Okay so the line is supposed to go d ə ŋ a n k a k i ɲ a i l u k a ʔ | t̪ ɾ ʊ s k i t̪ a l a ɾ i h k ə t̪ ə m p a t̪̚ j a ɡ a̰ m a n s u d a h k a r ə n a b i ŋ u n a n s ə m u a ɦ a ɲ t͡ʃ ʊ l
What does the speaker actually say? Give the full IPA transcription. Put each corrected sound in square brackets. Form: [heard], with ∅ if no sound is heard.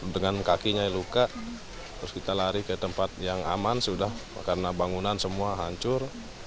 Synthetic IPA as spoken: d ə ŋ a n k a k i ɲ a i l u k a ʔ | t̪ ɾ ʊ s k i t̪ a l a ɾ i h k ə t̪ ə m p a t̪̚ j a [ŋ] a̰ m a n s u d a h k a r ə n a b [a] ŋ u n a n s ə m u a ɦ a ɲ t͡ʃ ʊ [r]

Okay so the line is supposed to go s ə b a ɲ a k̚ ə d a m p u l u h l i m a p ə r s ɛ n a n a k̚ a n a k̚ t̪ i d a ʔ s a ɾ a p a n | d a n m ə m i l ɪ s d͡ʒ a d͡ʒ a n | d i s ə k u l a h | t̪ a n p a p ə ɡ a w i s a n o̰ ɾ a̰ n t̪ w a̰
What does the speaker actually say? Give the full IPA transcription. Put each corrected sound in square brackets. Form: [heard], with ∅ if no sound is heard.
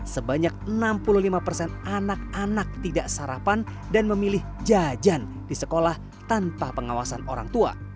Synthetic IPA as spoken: s ə b a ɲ a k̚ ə [n] a m p u l u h l i m a p ə r s ɛ n a n a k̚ a n a k̚ t̪ i d a ʔ s a ɾ a p a n | d a n m ə m i l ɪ [h] d͡ʒ a d͡ʒ a n | d i s ə k [o] l a h | t̪ a n p a p ə [ŋ] a w [a] s a n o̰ ɾ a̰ [ŋ] t̪ [u] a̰

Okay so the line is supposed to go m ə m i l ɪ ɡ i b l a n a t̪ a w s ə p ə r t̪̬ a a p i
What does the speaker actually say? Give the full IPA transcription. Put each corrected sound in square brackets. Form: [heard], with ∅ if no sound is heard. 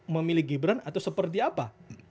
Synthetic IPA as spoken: m ə m i l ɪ ɡ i b [ɾ] a n a t̪ a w s ə p ə r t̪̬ [i] a p [a]

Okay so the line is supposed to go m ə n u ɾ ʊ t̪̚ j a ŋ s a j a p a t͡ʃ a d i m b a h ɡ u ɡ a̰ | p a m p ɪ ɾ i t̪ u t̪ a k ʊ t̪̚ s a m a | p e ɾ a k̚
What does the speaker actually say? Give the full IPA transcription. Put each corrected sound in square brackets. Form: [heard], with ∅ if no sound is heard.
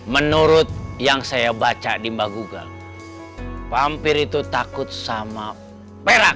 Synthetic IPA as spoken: m ə n u ɾ ʊ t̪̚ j a ŋ s a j a [b] a t͡ʃ a d i m b a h ɡ u ɡ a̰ | p a m p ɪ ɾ i t̪ u t̪ a k ʊ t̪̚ s a m a | p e ɾ a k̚

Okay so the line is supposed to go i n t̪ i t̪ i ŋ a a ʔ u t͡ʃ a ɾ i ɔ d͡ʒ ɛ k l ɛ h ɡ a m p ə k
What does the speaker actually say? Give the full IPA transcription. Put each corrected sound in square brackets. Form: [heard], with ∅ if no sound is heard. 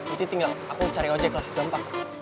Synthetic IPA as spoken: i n t̪ i t̪ i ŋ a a [k] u t͡ʃ a ɾ i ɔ d͡ʒ ɛ k l [a] h ɡ a m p [a] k

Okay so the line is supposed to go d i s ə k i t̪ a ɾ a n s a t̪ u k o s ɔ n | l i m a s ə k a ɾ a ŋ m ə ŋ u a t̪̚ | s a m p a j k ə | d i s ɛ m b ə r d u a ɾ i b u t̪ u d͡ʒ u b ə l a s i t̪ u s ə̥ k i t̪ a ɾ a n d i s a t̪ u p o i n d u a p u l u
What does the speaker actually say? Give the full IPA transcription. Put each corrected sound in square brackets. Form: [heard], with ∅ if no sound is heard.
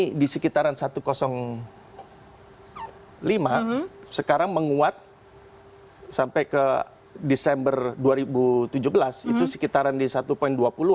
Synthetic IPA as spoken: d i s ə k i t̪ a ɾ a n s a t̪ u k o s ɔ [ŋ] | l i m a s ə k a ɾ a ŋ m ə ŋ u a t̪̚ | s a m p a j k ə | d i s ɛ m b ə r d u a ɾ i b u t̪ u d͡ʒ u b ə l a s i t̪ u s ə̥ k i t̪ a ɾ a n d i s a t̪ u p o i n d u a p u l u

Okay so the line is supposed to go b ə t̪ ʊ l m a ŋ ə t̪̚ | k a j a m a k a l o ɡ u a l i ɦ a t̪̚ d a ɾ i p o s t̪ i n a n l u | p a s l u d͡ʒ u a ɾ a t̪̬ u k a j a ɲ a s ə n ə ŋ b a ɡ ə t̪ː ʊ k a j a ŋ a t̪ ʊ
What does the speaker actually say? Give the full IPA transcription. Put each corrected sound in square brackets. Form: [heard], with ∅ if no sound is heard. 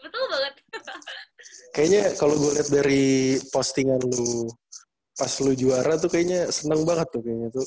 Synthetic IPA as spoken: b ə t̪ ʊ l [b] a ŋ ə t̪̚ | k a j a [ɲ] a k a l o ɡ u a l i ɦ a t̪̚ d a ɾ i p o s t̪ i [ŋ] a n l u | p a s l u d͡ʒ u a ɾ a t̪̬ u k a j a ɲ a s ə n ə ŋ b a [ŋ] ə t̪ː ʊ k a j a [ɲ] a t̪ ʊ

